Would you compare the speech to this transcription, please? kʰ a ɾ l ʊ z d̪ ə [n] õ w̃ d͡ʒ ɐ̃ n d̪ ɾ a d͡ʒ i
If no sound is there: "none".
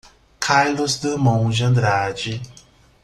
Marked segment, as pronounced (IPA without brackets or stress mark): m